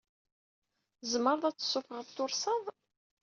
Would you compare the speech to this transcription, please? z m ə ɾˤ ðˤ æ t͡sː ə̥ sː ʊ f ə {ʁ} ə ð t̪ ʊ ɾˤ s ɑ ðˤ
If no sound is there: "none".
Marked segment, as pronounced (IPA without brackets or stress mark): ʁ